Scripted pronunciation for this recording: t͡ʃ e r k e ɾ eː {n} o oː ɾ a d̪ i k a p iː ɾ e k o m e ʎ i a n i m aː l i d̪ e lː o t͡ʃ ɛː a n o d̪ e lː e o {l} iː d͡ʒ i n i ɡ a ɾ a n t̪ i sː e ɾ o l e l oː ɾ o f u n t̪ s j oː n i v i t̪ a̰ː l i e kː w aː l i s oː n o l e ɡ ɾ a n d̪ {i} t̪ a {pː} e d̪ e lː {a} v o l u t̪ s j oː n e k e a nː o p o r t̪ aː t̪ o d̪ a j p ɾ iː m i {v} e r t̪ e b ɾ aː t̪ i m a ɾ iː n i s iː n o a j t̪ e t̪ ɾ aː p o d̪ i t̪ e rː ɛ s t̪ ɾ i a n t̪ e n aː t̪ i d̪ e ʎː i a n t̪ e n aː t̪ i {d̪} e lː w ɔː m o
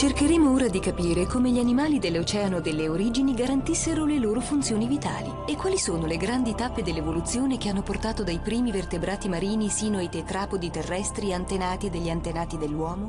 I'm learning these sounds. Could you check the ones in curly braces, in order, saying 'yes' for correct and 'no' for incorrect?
no, no, yes, yes, no, yes, yes

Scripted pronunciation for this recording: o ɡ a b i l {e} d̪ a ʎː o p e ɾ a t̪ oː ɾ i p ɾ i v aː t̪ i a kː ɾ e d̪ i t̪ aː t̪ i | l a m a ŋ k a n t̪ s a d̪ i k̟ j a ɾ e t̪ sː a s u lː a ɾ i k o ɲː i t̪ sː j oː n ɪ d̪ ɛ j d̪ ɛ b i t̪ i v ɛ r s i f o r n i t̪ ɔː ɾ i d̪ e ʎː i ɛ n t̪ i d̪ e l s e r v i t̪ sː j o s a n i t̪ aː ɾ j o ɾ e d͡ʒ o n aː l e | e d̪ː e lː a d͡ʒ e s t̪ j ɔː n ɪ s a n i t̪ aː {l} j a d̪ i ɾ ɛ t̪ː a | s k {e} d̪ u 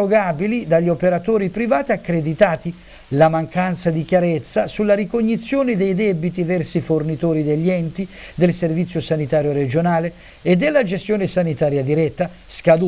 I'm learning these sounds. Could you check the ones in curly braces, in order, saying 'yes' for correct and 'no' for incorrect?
no, no, no

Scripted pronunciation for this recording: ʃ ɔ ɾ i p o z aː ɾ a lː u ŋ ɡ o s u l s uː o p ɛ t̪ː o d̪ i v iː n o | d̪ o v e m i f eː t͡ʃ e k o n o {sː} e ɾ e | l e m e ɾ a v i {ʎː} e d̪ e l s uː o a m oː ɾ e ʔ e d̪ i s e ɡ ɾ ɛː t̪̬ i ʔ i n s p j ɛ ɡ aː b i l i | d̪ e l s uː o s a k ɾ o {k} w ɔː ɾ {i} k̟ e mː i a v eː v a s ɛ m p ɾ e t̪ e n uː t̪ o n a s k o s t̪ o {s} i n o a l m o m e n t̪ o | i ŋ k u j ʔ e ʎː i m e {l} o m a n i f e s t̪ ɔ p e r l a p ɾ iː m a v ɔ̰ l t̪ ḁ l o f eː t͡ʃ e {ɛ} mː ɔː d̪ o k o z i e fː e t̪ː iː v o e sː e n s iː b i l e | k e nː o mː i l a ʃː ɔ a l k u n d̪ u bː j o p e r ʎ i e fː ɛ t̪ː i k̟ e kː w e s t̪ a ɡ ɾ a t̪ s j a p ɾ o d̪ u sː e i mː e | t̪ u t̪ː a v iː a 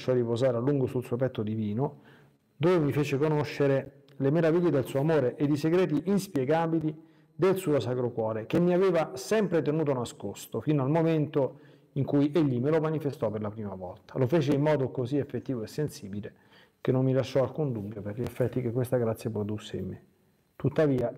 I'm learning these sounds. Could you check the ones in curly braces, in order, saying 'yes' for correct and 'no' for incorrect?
no, yes, yes, no, no, yes, no

